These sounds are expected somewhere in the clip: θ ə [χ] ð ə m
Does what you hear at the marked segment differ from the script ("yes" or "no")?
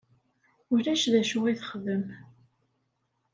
no